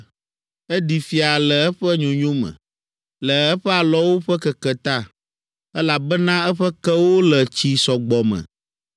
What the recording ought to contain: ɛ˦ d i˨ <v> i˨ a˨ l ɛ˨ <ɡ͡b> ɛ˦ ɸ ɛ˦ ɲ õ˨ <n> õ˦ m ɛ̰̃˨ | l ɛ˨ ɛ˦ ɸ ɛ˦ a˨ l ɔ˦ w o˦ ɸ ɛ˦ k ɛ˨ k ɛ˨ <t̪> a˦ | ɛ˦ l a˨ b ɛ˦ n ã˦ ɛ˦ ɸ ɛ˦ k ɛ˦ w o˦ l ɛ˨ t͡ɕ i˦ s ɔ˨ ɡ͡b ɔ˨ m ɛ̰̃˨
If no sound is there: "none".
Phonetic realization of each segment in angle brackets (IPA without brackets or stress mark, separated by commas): f, none, ɲ, t̪